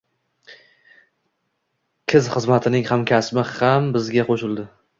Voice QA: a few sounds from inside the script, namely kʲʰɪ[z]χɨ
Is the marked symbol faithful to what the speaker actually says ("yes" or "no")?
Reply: yes